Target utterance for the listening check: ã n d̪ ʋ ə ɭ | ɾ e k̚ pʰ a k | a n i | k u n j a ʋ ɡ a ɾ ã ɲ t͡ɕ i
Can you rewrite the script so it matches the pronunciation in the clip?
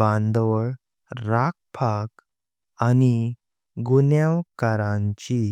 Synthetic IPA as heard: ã n d̪ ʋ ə ɭ | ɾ a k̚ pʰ a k | a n i | ɡ u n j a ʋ k a ɾ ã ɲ t͡ɕ i